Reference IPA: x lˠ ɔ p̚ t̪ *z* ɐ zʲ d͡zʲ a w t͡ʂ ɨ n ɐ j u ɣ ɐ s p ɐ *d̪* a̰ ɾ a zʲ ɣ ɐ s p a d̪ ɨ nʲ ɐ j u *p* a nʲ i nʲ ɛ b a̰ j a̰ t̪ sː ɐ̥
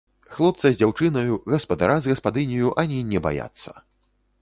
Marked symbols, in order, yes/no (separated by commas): no, yes, no